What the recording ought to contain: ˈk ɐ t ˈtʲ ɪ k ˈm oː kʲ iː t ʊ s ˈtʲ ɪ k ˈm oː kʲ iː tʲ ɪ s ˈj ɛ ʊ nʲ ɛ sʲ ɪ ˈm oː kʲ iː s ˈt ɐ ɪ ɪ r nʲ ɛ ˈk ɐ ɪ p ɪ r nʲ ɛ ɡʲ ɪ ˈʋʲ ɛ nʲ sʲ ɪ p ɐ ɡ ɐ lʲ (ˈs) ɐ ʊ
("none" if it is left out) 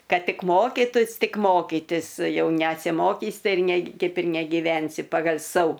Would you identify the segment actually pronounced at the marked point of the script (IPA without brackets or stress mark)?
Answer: s